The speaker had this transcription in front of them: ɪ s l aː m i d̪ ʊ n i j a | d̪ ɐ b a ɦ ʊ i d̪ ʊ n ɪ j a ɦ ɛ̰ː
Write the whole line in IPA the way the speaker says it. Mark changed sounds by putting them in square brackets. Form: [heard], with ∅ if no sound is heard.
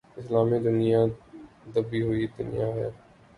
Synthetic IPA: ɪ s l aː m i d̪ ʊ n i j a | d̪ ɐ b [i] ɦ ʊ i d̪ ʊ n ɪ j a ɦ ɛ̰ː